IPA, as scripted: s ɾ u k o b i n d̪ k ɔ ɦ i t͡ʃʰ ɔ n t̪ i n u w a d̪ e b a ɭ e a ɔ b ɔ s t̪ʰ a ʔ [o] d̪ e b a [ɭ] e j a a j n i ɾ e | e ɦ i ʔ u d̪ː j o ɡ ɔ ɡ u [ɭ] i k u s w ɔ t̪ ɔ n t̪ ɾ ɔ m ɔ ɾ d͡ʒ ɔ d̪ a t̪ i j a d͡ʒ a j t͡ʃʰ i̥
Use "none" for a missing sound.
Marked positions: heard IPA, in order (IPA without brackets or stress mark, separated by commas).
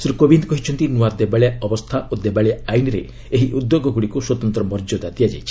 o, ɭ, ɽ